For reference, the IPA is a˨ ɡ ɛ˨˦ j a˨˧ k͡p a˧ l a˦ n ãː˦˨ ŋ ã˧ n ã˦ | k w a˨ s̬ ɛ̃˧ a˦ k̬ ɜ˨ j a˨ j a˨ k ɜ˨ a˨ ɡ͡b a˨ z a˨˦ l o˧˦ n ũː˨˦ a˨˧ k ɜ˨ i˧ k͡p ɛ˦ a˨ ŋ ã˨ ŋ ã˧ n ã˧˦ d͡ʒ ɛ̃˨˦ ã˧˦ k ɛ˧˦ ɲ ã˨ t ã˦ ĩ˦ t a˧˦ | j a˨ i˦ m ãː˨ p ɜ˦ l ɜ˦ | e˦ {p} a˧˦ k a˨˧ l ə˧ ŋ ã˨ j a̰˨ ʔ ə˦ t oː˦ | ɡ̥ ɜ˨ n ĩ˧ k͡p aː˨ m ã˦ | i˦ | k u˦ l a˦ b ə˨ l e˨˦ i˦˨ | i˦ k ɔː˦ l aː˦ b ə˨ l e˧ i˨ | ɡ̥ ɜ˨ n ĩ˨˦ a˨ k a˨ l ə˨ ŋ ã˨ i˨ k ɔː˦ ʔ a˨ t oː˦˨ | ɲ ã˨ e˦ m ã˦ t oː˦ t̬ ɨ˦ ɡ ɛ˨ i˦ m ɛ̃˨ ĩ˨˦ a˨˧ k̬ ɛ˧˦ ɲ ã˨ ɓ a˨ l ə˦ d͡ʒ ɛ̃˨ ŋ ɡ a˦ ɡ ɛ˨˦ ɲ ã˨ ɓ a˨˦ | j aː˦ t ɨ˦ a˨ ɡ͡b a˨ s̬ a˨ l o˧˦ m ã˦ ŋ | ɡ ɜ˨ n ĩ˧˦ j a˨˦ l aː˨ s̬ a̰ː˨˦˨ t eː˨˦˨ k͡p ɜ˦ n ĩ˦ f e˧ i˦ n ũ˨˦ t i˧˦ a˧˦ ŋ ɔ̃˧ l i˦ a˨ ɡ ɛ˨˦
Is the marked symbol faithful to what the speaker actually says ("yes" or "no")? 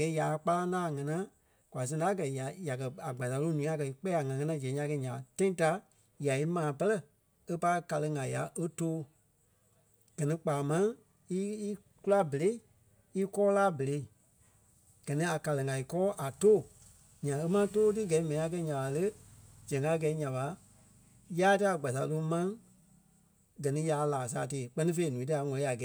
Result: yes